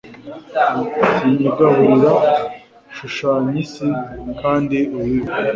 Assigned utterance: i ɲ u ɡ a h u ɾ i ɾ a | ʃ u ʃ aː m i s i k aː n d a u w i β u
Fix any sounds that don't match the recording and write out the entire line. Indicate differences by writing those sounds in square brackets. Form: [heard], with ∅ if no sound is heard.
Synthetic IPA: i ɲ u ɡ a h u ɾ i ɾ a | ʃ u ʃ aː [ɲ] i s i k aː n d [i] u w i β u